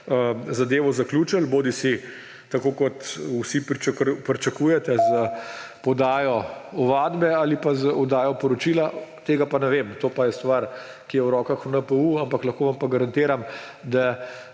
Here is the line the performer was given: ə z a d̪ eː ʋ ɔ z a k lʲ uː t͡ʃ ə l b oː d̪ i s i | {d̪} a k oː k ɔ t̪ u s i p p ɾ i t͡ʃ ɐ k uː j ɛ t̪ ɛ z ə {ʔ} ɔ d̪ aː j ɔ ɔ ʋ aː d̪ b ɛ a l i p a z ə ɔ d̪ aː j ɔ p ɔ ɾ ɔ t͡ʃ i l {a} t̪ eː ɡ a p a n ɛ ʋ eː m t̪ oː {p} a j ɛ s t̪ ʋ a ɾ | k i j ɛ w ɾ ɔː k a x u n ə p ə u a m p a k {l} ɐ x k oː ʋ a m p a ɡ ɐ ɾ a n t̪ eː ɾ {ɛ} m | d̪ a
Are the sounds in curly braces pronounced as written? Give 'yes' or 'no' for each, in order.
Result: no, no, yes, yes, yes, no

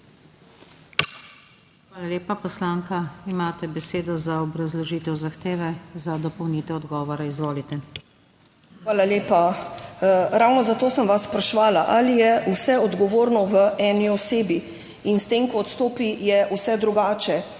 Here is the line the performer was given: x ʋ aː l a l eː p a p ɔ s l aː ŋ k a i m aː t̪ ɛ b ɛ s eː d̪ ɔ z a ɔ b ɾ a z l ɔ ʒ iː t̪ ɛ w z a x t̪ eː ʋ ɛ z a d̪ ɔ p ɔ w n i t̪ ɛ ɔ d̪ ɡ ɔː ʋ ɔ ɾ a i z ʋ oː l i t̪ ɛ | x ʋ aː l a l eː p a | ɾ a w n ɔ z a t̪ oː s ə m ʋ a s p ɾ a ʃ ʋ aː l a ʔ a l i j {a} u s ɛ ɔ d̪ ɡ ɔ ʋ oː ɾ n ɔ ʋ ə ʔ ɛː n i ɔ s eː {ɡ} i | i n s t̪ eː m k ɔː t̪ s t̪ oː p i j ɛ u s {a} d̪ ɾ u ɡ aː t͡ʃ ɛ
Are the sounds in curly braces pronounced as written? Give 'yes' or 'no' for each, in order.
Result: no, no, no

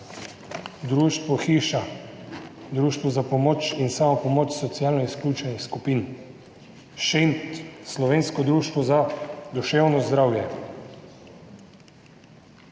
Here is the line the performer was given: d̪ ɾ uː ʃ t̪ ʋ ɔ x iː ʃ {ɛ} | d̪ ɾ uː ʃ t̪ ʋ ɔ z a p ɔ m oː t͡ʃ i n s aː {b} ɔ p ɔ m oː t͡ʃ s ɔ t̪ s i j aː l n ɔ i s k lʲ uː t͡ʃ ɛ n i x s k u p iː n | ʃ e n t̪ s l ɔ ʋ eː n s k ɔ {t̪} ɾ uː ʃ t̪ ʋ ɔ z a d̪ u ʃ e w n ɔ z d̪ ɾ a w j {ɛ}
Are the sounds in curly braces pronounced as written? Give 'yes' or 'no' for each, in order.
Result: no, no, no, yes

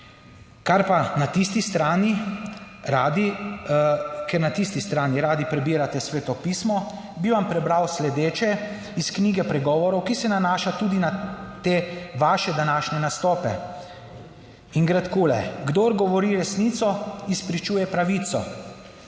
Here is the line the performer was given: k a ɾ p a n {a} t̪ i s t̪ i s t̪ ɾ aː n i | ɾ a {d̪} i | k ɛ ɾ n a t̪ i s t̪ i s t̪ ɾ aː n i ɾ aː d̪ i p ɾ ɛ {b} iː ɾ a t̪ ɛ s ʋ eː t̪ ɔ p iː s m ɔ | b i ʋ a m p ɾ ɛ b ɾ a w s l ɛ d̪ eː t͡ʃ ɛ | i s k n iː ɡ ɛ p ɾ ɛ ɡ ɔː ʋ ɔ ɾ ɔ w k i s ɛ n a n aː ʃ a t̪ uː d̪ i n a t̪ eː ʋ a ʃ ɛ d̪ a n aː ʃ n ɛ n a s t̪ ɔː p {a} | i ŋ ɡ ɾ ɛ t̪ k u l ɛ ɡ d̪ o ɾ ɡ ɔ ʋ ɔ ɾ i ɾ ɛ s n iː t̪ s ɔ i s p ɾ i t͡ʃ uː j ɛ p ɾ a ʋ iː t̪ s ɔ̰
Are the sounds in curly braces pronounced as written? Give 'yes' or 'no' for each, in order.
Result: yes, yes, yes, no

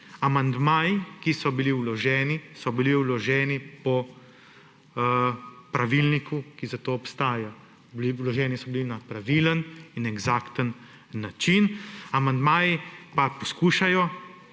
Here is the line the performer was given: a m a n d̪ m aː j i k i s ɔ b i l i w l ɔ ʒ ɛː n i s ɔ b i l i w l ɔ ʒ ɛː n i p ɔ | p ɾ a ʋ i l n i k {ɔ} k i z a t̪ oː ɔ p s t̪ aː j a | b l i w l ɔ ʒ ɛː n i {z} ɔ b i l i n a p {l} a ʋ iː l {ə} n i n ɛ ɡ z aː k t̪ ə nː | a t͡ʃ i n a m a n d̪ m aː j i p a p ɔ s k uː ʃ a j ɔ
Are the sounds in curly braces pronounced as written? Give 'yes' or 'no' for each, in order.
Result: no, no, no, yes

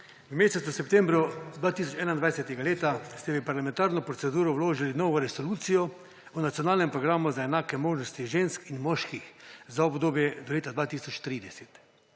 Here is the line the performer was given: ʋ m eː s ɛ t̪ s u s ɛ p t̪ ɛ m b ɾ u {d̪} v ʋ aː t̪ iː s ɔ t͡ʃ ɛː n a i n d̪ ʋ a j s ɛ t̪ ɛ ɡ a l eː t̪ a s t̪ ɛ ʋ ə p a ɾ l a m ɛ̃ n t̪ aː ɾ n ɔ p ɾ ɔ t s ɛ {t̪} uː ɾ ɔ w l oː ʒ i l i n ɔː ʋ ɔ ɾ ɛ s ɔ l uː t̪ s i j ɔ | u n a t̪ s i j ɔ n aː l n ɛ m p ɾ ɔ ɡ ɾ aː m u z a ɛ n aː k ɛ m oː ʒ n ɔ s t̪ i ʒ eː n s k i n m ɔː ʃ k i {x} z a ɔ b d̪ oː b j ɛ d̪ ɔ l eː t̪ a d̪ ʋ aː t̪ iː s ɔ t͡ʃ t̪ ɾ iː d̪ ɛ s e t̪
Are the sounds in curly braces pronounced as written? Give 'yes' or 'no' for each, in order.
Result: yes, no, yes

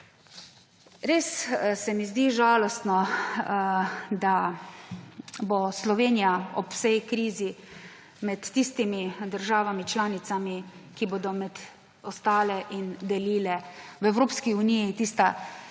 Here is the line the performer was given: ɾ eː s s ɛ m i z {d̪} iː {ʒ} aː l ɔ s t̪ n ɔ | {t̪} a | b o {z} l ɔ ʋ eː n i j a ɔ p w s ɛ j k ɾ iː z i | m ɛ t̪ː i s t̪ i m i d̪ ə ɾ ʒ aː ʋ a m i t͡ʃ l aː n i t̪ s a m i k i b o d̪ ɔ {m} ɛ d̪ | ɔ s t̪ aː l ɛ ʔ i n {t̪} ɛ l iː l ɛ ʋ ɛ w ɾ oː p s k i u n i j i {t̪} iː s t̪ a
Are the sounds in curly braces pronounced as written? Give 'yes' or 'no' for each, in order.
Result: yes, yes, no, no, yes, no, yes

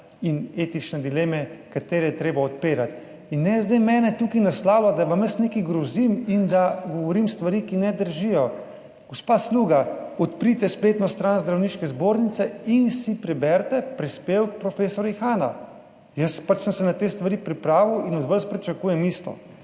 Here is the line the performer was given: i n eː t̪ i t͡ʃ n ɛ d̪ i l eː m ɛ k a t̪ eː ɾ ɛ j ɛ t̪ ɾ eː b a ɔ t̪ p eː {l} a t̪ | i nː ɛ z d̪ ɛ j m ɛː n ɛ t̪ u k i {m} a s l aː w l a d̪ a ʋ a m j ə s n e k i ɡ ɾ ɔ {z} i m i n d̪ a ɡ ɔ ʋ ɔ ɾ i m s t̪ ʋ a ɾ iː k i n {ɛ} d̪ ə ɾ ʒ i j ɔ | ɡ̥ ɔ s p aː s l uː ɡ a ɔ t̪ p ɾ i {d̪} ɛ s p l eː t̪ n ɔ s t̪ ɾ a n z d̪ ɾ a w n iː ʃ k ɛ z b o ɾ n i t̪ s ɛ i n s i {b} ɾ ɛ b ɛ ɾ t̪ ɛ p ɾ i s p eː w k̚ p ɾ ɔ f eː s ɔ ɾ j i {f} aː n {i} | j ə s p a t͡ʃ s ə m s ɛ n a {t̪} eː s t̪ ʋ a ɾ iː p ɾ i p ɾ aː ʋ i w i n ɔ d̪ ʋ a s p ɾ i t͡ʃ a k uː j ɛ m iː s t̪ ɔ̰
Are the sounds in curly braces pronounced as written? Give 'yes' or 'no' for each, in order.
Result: no, no, yes, yes, no, no, no, no, yes

